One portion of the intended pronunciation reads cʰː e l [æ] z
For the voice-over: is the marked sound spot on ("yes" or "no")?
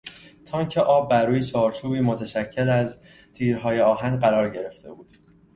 yes